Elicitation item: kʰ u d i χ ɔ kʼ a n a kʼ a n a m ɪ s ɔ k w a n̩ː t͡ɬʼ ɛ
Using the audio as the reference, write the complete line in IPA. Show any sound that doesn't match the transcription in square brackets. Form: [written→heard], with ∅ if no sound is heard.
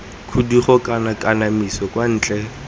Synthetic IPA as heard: kʰ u d i χ ɔ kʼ a n a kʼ a n a m [ɪ→i] s ɔ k w a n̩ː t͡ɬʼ ɛ